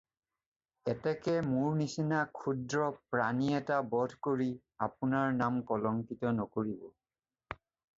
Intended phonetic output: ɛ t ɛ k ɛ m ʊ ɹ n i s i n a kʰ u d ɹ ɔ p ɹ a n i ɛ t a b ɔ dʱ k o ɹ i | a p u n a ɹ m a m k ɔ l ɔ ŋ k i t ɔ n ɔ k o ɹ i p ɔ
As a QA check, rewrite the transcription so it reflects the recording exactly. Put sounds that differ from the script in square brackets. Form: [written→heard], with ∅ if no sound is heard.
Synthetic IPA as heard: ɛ t ɛ k ɛ m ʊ ɹ n i s i n a kʰ u d ɹ ɔ p ɹ a n i ɛ t a b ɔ dʱ k o ɹ i | a p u n a ɹ [m→n] a m k ɔ l ɔ ŋ k i t ɔ n ɔ k o ɹ i [p→b] ɔ

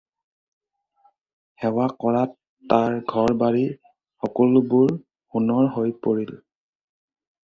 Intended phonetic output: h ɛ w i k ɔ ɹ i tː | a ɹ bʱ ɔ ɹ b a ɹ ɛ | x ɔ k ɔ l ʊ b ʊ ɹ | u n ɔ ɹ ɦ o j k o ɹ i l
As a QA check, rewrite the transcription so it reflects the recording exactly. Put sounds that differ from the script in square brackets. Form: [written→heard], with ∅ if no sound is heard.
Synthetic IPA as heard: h ɛ w [i→a] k ɔ ɹ [i→a] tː | a ɹ [bʱ→ɡʱ] ɔ ɹ b a ɹ [ɛ→i] | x ɔ k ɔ l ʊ b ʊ ɹ | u n ɔ ɹ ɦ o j [k→p] o ɹ i l

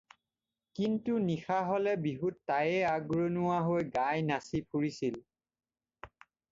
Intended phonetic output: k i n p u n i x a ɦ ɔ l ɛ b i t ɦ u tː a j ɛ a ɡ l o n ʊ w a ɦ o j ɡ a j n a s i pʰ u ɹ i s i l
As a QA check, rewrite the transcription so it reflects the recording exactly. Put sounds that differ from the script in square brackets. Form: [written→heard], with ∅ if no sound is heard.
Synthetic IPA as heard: k i n [p→t] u n i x a ɦ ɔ l ɛ b i [t→∅] ɦ u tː a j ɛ a ɡ [l→ɹ] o n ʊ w a ɦ o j ɡ a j n a s i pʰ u ɹ i s i l

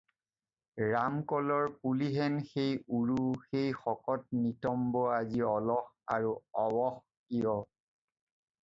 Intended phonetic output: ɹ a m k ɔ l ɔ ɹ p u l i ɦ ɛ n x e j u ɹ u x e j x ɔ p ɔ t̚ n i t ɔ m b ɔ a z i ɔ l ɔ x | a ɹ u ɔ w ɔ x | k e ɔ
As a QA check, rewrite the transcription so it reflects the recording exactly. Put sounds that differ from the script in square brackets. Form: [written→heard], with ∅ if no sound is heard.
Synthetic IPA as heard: ɹ a m k ɔ l ɔ ɹ p u l i ɦ ɛ n x e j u ɹ u x e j x ɔ [p→k] ɔ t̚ n i t ɔ m b ɔ a z i ɔ l ɔ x | a ɹ u ɔ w ɔ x | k [e→i] ɔ

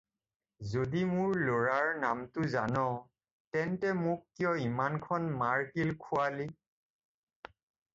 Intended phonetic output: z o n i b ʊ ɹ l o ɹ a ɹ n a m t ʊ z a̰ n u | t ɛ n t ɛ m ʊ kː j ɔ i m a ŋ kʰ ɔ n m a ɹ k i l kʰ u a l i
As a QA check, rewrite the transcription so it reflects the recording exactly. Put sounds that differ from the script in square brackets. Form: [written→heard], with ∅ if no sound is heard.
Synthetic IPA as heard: z o [n→d] i [b→m] ʊ ɹ l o ɹ a ɹ n a m t ʊ z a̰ n [u→ɔ] | t ɛ n t ɛ m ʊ kː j ɔ i m a [ŋ→n] kʰ ɔ n m a ɹ k i l kʰ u a l i

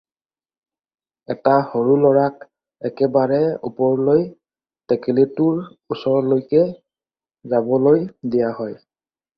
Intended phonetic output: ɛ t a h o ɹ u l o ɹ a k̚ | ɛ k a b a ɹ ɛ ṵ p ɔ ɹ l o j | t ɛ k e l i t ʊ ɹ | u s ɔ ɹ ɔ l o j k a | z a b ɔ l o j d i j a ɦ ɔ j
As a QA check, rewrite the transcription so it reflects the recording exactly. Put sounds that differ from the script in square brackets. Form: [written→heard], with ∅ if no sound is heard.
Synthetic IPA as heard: ɛ t a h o ɹ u l [o→ɔ] ɹ a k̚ | ɛ k [a→ɛ] b a ɹ ɛ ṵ p ɔ ɹ l o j | t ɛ k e l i t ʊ ɹ | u s ɔ ɹ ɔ l o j k [a→ɛ] | z a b ɔ l o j d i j a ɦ ɔ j

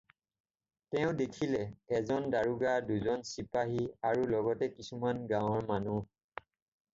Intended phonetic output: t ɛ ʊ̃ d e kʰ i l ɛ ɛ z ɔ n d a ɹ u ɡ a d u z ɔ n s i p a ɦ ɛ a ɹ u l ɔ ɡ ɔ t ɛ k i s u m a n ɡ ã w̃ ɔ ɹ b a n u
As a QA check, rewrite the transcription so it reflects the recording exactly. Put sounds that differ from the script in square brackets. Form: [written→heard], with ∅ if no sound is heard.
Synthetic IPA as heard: t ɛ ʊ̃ d e kʰ i l ɛ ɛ z ɔ n d a ɹ u ɡ a d u z ɔ n s i p a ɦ [ɛ→i] a ɹ u l ɔ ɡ ɔ t ɛ k i s u m a n ɡ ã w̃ ɔ ɹ [b→m] a n u

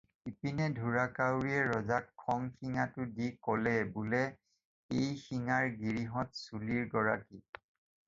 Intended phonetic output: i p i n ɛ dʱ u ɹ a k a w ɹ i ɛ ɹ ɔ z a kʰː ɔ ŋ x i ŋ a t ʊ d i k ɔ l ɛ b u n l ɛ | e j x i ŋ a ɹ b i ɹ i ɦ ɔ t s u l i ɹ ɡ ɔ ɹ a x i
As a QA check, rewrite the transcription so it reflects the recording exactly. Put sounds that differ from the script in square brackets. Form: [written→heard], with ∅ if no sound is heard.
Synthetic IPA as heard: i p i n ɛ dʱ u ɹ a k a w ɹ i ɛ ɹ ɔ z a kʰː ɔ ŋ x i ŋ a t ʊ d i k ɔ l ɛ b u [n→∅] l ɛ | e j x i ŋ a ɹ [b→ɡ] i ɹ i ɦ ɔ t s u l i ɹ ɡ ɔ ɹ a [x→k] i

